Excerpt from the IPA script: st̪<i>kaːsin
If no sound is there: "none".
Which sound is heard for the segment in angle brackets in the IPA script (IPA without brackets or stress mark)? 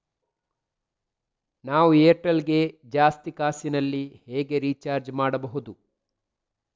i